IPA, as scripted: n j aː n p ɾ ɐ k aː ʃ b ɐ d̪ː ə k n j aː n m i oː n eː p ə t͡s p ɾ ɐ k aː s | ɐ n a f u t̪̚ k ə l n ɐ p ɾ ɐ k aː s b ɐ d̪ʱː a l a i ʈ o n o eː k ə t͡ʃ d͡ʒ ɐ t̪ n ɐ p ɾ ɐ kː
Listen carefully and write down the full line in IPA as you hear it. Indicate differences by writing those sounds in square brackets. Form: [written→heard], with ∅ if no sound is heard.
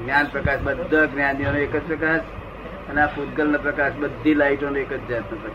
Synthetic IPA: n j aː n p ɾ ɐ k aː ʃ b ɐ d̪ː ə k n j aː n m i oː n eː [p→k] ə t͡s p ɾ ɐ k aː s | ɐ n a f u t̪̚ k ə l n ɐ p ɾ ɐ k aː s b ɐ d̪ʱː [a→i] l a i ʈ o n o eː k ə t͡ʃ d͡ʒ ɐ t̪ n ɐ p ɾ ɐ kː